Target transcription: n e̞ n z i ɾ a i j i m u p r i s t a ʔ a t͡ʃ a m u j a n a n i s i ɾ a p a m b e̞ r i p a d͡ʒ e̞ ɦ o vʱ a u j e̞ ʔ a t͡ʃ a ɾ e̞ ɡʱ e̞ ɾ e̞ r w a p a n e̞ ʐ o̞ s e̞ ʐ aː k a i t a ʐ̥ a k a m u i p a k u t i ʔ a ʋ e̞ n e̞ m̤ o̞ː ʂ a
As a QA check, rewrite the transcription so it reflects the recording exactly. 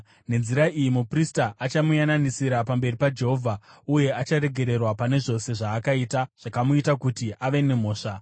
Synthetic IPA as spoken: n e̞ n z i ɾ a i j i m u p r i s t a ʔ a t͡ʃ a m u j a n a n i s i ɾ a p a m b e̞ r i p a d͡ʒ e̞ ɦ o vʱ a u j e̞ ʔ a t͡ʃ a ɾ e̞ ɡʱ e̞ ɾ e̞ r w a p a n e̞ ʐ o̞ s e̞ ʐ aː k a i t a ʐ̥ a k a m u i t a k u t i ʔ a ʋ e̞ n e̞ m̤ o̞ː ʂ a